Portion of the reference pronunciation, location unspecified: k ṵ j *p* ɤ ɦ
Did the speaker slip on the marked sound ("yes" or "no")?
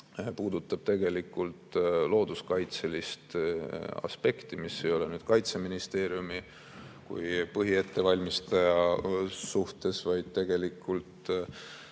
no